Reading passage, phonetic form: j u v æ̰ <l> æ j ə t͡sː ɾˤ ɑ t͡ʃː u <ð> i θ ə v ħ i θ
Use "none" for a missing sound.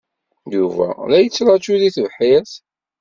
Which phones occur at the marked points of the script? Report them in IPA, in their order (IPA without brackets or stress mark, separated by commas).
l, ð